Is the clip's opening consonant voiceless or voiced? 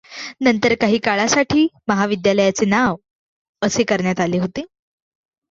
voiced